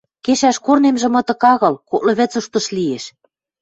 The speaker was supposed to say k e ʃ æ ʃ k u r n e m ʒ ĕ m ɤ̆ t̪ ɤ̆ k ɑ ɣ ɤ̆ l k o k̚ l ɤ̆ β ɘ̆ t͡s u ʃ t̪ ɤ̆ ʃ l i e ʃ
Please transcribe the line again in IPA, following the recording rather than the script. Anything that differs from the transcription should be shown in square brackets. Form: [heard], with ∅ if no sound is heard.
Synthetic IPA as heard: k e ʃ æ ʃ k [o] r n e m ʒ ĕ m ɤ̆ t̪ ɤ̆ k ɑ ɣ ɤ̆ l k o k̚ l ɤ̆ β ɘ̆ t͡s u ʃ t̪ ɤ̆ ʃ l i e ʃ